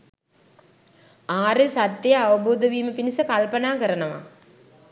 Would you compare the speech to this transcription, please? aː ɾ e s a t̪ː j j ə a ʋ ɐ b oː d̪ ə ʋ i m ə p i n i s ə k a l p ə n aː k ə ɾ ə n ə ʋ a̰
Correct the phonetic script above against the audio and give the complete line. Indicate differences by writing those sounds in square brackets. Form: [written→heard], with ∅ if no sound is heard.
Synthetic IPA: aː ɾ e s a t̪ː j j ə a ʋ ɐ b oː d̪ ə ʋ [i→iː] m ə p i n i s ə k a l p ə n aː k ə ɾ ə n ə ʋ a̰